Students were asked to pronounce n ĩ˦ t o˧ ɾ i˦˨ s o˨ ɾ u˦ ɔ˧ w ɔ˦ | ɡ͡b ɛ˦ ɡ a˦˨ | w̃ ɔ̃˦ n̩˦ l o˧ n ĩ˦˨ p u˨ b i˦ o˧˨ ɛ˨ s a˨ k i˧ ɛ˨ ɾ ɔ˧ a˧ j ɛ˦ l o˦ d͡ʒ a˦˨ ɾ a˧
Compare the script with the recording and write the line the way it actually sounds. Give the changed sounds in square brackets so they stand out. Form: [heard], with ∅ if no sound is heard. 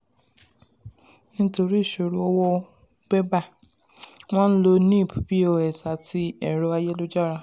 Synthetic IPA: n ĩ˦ t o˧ ɾ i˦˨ [ʃ] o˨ ɾ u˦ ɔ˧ w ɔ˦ | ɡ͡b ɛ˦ [b] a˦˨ | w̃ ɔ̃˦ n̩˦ l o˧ n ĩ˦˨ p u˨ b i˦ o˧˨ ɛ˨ s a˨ [t] i˧ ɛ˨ ɾ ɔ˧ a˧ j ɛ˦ l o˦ d͡ʒ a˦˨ ɾ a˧